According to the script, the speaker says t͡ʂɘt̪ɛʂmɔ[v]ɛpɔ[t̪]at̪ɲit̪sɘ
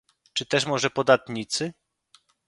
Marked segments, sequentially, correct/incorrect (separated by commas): incorrect, incorrect